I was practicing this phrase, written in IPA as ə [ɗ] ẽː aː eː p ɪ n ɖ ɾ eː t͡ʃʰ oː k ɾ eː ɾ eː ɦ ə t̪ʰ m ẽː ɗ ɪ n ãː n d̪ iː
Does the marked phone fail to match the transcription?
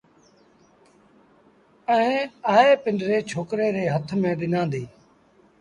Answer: yes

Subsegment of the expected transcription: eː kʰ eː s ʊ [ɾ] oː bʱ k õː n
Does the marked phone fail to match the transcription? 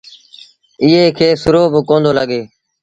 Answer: no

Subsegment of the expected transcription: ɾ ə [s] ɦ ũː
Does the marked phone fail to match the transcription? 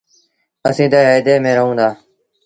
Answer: yes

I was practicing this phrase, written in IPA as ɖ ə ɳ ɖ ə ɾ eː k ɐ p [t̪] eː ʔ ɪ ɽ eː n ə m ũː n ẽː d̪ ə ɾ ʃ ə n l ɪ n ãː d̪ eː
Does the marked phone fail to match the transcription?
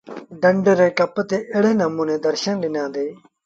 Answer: no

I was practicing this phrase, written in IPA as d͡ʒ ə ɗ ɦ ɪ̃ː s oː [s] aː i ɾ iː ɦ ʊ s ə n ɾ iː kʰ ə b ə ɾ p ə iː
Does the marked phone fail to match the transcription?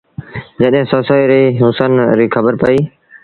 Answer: no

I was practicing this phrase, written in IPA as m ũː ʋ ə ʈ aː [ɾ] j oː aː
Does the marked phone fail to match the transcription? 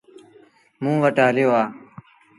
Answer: yes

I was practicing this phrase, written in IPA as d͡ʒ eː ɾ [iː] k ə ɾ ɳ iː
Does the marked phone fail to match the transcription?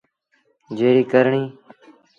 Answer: no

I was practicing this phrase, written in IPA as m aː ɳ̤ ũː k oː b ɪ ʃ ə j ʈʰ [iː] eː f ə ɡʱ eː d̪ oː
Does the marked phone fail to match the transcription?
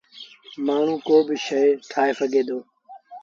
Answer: yes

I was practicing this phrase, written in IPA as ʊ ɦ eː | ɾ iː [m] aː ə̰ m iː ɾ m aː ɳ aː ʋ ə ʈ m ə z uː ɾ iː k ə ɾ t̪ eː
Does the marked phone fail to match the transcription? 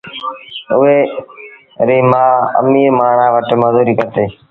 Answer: no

